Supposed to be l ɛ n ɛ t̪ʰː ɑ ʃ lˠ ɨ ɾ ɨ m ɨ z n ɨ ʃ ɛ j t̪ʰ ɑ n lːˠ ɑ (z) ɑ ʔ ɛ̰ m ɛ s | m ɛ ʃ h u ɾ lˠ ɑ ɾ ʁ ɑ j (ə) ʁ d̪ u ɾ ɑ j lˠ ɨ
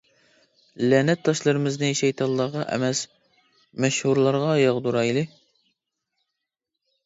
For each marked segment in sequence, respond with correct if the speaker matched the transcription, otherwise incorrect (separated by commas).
incorrect, incorrect